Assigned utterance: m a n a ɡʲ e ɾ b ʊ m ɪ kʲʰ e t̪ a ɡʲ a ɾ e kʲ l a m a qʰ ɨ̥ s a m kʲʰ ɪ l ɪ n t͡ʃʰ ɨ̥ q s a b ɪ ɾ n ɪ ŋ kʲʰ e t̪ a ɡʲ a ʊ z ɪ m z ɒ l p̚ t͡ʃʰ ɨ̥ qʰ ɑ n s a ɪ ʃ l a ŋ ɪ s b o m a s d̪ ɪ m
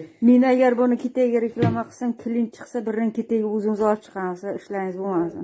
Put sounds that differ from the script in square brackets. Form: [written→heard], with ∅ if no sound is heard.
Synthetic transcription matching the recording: m [a→e] n a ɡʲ [e→a] ɾ b ʊ [m→n] ɪ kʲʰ e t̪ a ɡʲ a ɾ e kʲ l a m a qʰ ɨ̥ s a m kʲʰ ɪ l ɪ n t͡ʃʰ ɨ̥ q s a b ɪ ɾ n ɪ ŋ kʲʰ e t̪ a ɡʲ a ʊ z ɪ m z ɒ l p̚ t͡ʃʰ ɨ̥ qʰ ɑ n s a ɪ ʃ l a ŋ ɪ [s→z] b o m a s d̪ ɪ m